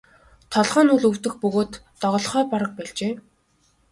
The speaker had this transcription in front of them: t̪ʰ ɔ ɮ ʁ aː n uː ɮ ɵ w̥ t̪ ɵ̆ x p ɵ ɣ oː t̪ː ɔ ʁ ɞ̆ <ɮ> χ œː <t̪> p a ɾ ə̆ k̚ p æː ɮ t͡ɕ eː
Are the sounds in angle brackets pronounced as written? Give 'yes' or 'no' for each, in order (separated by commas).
yes, no